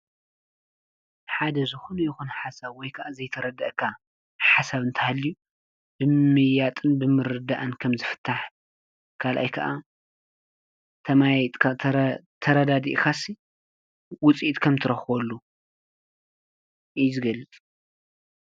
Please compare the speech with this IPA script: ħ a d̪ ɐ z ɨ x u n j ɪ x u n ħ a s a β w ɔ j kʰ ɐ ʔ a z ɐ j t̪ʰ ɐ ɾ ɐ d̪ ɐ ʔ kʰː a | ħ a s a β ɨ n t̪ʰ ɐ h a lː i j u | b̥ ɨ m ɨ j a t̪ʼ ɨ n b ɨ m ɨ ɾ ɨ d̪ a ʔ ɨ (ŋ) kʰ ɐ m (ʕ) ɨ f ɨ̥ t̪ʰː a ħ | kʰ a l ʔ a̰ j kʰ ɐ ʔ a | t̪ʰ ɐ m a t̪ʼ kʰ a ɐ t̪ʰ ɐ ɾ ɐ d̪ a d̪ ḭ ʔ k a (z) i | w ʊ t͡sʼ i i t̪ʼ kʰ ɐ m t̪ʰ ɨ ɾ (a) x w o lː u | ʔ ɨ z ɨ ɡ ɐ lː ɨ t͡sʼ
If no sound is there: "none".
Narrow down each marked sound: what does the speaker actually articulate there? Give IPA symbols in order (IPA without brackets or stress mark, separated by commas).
n, z, s, ɐ